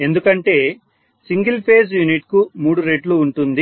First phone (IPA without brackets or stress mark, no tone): e̞